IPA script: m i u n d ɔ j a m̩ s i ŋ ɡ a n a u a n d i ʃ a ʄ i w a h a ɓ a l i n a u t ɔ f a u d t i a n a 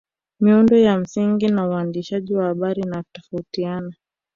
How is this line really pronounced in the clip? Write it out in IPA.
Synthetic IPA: m i u n d ɔ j a m̩ s i ŋ ɡ i n a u a n d i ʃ a ʄ i w a h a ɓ a ɾ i n a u t ɔ f a u t i a n a